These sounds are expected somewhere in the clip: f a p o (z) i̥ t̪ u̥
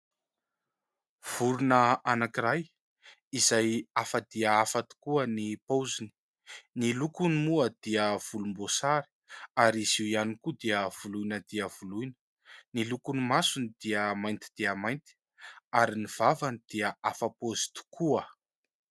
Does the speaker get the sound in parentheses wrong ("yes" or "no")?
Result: no